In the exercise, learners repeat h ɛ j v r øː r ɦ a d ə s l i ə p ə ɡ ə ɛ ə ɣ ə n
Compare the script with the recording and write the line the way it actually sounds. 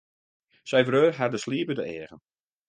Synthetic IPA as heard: s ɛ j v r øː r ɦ a d ə s l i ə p ə d ə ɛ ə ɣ ə n

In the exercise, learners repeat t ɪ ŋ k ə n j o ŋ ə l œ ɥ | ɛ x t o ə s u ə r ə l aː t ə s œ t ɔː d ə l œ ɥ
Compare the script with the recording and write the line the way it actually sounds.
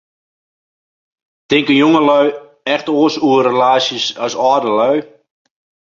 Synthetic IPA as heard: t ɪ ŋ k ə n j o ŋ ə l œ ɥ | ɛ x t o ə s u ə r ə l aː s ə s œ s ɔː d ə l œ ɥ

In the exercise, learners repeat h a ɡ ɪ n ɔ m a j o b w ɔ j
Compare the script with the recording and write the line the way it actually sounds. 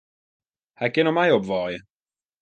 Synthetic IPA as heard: h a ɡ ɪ n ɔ m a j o b v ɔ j

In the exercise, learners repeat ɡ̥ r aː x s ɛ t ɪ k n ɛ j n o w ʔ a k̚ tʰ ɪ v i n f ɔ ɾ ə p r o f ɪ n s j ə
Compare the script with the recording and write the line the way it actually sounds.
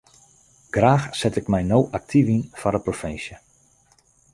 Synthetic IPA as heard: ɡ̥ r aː x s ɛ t ɪ k m ɛ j n o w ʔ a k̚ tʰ i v i n f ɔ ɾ ə p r o f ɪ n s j ə

